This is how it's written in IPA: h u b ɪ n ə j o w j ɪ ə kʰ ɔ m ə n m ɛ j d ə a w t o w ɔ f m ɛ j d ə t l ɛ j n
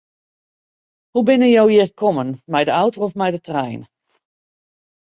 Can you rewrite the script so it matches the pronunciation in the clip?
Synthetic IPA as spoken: h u b ɪ n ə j o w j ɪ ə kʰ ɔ m ə n m ɛ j d ə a w t o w ɔ f m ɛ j d ə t r ɛ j n